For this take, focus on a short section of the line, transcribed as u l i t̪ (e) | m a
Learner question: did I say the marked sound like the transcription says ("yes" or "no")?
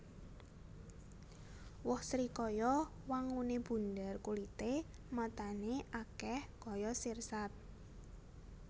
yes